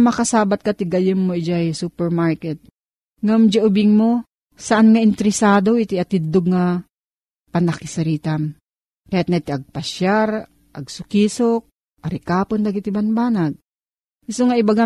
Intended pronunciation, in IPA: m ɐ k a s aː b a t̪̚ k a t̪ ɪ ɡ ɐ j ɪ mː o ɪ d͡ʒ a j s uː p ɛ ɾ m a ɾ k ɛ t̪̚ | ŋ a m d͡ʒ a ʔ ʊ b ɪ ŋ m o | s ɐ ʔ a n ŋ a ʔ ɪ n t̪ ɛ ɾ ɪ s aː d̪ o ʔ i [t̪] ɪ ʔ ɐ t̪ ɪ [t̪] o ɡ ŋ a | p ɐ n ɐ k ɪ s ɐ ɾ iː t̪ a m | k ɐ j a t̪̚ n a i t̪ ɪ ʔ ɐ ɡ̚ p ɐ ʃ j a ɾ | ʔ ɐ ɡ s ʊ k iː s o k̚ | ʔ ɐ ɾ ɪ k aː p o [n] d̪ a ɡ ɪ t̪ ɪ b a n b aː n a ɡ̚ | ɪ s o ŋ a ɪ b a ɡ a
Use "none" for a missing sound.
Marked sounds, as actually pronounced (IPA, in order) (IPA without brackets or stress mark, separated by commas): t̪, d̪, n